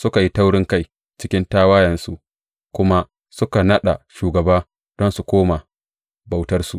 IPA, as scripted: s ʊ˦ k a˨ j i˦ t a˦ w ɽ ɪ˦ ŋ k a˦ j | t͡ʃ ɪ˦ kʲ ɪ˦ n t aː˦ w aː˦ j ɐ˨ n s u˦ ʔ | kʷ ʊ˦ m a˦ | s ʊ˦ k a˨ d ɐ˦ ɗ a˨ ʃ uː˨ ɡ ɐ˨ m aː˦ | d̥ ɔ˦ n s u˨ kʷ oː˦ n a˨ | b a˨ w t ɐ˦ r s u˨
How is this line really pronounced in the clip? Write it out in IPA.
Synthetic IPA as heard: s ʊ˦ k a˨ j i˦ t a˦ w ɽ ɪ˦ ŋ k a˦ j | t͡ʃ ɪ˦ kʲ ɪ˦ n t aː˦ w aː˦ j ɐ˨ n s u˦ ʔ | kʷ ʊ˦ m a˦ | s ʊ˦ k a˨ n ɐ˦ ɗ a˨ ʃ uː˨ ɡ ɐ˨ b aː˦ | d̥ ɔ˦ n s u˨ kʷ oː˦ m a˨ | b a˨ w t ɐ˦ r s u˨